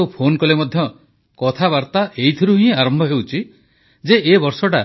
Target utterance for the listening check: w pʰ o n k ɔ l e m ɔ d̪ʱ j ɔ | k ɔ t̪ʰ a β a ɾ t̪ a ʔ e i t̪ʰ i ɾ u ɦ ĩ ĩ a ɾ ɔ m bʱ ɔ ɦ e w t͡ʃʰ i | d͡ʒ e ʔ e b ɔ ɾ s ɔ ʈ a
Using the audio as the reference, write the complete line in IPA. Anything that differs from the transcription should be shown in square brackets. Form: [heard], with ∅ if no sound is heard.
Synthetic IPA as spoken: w pʰ o n k ɔ l e m ɔ d̪ʱ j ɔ | k ɔ t̪ʰ a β a ɾ t̪ a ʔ e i t̪ʰ i ɾ u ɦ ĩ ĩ a ɾ ɔ m bʱ ɔ ɦ e w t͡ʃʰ i | d͡ʒ e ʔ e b ɔ ɾ s ɔ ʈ a